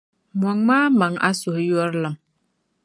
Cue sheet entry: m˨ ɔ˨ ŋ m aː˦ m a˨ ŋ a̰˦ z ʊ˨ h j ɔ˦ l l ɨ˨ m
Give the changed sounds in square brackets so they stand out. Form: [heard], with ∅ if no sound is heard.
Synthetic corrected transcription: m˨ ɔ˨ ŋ m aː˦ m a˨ ŋ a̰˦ [s] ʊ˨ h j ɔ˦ [ɾ] l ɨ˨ m